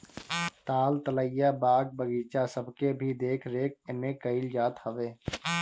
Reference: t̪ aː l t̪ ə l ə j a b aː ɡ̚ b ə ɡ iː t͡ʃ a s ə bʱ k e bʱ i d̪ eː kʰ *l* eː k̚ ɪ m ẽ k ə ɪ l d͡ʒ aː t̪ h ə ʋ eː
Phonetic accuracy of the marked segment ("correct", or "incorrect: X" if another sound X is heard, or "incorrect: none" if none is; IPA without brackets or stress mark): incorrect: ɾ